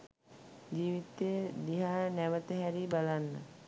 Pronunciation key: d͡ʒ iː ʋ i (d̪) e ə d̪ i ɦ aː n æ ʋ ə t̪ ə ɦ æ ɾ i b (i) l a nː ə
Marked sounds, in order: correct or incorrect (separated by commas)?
incorrect, incorrect